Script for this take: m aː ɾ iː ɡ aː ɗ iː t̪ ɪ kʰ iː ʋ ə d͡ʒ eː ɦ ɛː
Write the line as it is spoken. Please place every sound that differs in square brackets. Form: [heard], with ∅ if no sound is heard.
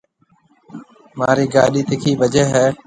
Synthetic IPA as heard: m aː ɾ iː ɡ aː ɗ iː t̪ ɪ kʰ iː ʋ ə d͡ʒ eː ɦ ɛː

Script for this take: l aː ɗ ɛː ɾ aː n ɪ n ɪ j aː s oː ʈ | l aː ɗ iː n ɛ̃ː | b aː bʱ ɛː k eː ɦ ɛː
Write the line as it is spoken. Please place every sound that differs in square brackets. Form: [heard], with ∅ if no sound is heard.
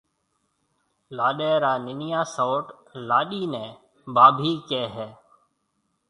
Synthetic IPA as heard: l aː ɗ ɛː ɾ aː n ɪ n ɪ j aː s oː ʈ | l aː ɗ iː n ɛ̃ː | b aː bʱ [iː] k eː ɦ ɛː

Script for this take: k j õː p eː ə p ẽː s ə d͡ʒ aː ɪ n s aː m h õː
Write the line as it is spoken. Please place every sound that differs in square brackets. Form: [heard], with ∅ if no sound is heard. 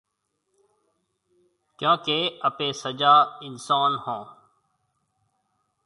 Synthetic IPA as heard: k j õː [k] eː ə p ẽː s ə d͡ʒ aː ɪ n s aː [n] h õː

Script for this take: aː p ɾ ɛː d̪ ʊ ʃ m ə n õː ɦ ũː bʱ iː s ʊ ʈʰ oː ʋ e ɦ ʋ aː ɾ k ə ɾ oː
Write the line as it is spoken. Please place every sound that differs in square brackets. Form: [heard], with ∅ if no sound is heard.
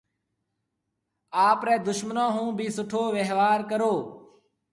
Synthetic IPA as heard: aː p ɾ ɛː d̪ ʊ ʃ m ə n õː ɦ ũː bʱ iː s ʊ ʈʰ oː ʋ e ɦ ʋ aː ɾ k ə ɾ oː

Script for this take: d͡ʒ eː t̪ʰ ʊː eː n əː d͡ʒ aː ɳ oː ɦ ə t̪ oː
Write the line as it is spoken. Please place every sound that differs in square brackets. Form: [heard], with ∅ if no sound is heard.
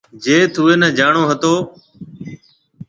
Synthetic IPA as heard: d͡ʒ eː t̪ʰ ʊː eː n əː d͡ʒ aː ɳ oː ɦ ə t̪ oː

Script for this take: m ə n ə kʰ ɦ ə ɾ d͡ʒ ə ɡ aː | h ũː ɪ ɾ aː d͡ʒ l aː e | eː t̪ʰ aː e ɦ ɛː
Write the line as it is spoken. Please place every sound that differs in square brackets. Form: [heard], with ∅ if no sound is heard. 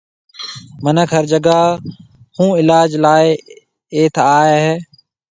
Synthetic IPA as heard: m ə n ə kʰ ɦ ə ɾ d͡ʒ ə ɡ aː | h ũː ɪ [l] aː d͡ʒ l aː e | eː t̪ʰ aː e ɦ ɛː

